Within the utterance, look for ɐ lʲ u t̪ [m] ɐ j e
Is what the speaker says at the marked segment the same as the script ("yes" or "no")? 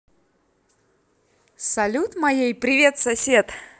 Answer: yes